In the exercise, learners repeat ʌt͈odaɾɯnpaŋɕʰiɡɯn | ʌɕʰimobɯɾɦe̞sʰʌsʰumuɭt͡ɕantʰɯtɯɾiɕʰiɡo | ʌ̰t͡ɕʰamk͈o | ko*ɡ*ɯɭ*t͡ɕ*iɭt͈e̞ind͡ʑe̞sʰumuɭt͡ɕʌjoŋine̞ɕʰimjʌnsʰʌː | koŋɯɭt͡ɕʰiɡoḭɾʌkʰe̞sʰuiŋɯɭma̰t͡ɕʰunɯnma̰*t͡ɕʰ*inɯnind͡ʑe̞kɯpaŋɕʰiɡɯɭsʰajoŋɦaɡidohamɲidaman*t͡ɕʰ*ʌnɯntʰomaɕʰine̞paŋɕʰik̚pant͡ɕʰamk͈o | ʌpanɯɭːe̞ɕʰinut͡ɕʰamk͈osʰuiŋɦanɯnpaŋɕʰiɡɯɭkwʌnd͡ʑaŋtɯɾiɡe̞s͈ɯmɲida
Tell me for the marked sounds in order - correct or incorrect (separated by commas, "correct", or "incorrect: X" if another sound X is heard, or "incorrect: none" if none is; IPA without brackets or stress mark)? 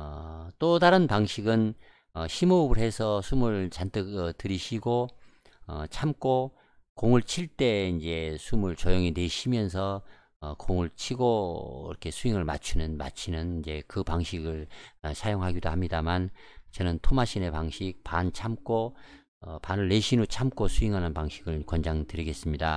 incorrect: ŋ, incorrect: t͡ɕʰ, correct, incorrect: t͡ɕ